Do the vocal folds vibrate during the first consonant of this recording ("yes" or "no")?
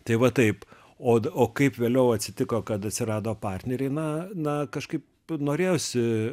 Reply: no